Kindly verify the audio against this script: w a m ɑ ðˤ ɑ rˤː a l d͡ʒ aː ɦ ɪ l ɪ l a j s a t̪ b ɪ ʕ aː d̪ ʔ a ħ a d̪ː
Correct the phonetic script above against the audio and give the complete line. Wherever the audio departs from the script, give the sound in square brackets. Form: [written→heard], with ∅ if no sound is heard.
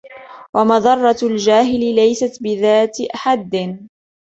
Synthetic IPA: w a m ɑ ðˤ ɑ rˤː [a→ɑ] l d͡ʒ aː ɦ ɪ l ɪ l a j s a t̪ b ɪ [ʕ→ð] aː [d̪→t̪] ʔ a ħ a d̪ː